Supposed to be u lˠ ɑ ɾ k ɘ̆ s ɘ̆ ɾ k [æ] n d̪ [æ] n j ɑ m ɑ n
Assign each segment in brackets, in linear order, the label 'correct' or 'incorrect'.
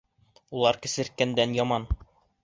correct, correct

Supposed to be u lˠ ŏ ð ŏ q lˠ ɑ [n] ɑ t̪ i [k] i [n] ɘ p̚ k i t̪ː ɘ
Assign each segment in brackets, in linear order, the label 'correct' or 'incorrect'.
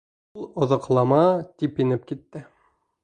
incorrect, incorrect, correct

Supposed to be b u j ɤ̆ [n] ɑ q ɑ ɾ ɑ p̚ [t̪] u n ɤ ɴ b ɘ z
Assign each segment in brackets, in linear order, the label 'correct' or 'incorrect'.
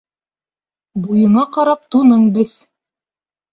incorrect, correct

